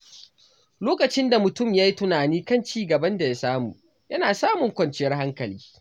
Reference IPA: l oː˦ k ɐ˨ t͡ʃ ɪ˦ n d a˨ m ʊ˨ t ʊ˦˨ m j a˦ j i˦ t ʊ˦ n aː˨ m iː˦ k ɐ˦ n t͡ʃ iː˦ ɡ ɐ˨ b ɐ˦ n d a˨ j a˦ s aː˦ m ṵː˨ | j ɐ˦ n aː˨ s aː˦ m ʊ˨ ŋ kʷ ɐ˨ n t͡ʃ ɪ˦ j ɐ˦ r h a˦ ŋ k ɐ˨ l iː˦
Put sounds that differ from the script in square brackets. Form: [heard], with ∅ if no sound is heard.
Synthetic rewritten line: l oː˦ k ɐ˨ t͡ʃ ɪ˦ n d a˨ m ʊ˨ t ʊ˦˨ m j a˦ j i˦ t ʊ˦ n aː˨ [n] iː˦ k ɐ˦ n t͡ʃ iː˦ ɡ ɐ˨ b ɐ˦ n d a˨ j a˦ s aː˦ m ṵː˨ | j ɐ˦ n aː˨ s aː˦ m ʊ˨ ŋ kʷ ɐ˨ n t͡ʃ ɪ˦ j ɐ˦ r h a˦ ŋ k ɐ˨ l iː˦